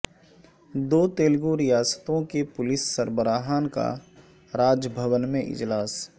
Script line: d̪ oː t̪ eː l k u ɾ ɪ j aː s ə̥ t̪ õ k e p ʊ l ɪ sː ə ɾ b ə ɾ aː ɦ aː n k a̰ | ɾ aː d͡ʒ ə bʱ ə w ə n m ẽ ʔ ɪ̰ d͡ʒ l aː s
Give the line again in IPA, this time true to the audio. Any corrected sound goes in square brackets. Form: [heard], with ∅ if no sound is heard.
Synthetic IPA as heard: d̪ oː t̪ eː l [ɡ] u ɾ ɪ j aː s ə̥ t̪ õ k e p ʊ l ɪ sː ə ɾ b ə ɾ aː ɦ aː n k a̰ | ɾ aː d͡ʒ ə bʱ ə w ə n m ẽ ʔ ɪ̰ d͡ʒ l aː s